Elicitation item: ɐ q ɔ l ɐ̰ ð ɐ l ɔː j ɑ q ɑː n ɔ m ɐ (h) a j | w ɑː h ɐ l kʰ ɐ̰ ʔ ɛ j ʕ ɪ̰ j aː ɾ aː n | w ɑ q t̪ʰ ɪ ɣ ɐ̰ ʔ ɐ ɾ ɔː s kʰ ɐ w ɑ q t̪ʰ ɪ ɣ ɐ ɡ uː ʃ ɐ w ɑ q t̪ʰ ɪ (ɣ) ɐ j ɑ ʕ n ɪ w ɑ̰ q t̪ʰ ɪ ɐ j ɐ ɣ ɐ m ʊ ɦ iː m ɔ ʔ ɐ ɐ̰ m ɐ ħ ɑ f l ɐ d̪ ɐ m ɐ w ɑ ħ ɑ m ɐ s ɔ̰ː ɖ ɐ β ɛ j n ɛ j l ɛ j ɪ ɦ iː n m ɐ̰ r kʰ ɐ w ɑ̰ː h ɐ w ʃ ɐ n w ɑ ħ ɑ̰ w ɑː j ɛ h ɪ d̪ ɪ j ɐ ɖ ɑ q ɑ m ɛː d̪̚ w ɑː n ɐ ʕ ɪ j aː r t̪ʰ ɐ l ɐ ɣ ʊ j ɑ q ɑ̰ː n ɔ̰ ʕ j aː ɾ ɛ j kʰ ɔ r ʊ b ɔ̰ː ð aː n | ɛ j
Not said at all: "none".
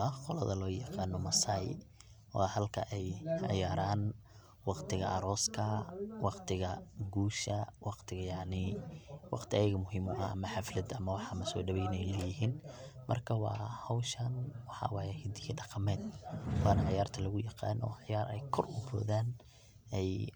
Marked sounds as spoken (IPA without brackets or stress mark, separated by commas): s, ɣ